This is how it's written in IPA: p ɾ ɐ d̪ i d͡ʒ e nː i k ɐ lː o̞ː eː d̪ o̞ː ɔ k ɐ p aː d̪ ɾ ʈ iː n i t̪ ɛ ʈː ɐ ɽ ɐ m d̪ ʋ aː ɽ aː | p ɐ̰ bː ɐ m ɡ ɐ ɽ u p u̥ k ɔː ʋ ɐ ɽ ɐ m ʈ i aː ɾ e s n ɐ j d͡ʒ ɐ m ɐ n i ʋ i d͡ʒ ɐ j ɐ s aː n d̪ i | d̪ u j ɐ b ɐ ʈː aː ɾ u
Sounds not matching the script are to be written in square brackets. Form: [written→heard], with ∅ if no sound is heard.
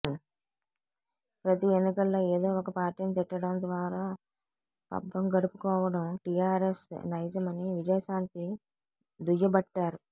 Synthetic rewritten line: p ɾ ɐ [d̪→t̪] i [d͡ʒ→∅] e nː i k ɐ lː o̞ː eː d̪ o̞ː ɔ k ɐ p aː [d̪→∅] ɾ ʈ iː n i t̪ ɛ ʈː ɐ ɽ ɐ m d̪ ʋ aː [ɽ→ɾ] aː | p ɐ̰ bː ɐ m ɡ ɐ ɽ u p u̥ k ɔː ʋ ɐ ɽ ɐ m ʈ i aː ɾ e s n ɐ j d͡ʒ ɐ m ɐ n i ʋ i d͡ʒ ɐ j ɐ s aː n [d̪→t̪] i | d̪ u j ɐ b ɐ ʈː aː ɾ u